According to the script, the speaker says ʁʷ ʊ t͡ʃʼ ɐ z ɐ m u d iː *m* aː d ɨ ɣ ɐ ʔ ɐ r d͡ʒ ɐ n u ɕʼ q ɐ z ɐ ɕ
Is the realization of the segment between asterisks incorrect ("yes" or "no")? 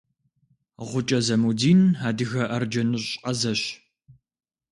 yes